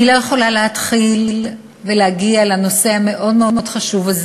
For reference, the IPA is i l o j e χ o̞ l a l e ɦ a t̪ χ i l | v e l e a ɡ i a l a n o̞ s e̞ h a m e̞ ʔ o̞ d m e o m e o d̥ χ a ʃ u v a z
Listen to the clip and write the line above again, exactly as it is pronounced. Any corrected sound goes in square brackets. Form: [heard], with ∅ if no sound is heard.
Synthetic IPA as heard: i l o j e χ o̞ l a l e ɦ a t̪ χ i l | v e l e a ɡ i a l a n o̞ s e̞ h a m e̞ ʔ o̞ d m e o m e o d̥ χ a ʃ u v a z